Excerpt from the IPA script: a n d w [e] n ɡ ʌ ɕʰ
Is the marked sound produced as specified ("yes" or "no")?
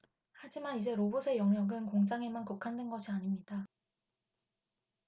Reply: yes